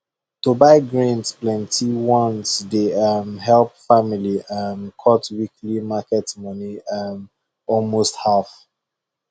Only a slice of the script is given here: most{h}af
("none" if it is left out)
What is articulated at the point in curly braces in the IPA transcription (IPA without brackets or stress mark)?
h